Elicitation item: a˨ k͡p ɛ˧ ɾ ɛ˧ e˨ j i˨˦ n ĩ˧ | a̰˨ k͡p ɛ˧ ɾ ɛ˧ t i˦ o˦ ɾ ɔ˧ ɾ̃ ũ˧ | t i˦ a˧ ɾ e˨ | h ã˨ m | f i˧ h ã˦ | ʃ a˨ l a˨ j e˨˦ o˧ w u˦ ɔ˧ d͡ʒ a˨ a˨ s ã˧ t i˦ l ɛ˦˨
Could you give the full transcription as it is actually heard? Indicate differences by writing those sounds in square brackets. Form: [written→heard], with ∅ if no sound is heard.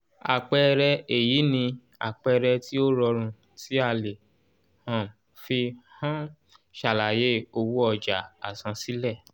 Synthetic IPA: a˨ k͡p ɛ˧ ɾ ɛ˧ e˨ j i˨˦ n ĩ˧ | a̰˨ k͡p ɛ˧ ɾ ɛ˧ t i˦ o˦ ɾ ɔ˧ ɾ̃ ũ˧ | t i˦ a˧ [ɾ→l] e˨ | h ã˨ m | f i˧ h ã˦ | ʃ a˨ l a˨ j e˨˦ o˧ w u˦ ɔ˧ d͡ʒ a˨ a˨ s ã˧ [t→s] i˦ l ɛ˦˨